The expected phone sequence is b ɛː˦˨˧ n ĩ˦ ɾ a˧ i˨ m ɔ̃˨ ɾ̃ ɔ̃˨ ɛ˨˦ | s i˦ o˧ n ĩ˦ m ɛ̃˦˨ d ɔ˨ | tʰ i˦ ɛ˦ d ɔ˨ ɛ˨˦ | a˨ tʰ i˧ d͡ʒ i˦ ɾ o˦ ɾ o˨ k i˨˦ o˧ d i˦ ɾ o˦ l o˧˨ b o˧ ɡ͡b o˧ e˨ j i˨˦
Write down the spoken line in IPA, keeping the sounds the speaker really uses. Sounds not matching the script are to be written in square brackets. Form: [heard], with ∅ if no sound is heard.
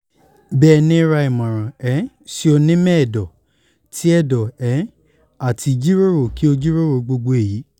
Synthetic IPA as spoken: b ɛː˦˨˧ n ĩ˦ ɾ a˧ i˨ m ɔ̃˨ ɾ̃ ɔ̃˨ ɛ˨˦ | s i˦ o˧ n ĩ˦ m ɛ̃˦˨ d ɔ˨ | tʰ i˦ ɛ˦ d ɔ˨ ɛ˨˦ | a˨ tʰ i˧ d͡ʒ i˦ ɾ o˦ ɾ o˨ k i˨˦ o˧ [d͡ʒ] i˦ ɾ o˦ [ɾ] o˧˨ [ɡ͡b] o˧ ɡ͡b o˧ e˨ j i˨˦